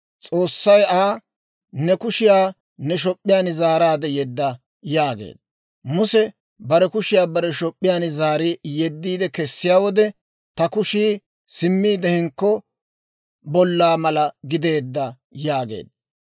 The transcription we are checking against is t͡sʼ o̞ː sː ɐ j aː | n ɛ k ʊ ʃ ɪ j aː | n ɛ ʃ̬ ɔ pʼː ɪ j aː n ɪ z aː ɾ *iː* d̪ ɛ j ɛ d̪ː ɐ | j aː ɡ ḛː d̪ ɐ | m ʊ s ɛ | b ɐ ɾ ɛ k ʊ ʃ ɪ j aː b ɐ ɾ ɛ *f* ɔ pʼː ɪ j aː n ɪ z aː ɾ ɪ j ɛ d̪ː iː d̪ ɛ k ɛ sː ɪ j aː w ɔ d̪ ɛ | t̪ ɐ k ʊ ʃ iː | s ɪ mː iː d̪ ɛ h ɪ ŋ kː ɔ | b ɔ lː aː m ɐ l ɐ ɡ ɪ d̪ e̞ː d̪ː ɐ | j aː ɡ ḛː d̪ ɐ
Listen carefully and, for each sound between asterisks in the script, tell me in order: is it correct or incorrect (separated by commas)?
incorrect, incorrect